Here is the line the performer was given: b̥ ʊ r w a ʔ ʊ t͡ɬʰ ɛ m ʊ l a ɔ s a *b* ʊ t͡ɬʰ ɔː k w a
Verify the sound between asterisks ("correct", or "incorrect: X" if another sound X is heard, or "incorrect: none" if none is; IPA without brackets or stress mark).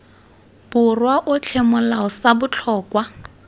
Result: correct